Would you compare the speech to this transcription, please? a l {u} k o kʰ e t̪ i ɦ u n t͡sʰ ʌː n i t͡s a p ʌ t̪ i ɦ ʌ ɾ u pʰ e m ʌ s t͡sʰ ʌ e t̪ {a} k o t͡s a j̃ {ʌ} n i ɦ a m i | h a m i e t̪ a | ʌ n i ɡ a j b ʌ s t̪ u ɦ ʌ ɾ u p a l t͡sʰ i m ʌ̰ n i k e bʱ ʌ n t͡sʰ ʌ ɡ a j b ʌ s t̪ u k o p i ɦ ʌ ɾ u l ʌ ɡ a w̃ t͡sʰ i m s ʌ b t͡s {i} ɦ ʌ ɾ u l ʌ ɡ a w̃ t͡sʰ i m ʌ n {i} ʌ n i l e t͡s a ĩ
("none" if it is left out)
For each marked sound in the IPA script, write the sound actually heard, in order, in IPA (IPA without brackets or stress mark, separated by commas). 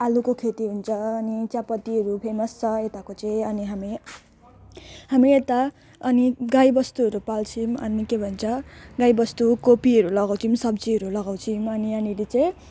u, a, ʌ, i, i